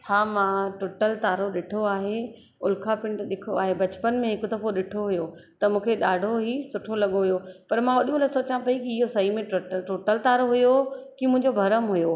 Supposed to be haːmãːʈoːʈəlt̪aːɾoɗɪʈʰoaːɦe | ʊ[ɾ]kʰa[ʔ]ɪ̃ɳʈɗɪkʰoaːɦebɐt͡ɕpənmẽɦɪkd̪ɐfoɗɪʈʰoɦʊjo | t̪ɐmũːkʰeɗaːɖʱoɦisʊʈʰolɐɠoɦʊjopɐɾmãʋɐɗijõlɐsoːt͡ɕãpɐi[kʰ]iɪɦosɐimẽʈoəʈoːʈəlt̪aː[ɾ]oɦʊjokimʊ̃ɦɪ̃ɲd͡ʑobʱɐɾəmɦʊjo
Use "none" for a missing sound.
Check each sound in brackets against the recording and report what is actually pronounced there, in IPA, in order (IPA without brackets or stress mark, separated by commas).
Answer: l, p, k, ɾ